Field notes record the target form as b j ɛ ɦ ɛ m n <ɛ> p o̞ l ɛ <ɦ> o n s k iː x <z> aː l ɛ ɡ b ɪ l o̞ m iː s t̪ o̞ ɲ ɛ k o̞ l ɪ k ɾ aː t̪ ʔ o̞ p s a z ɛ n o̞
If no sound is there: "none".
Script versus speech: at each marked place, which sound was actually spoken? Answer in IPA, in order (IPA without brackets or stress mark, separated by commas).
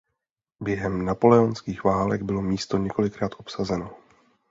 a, none, v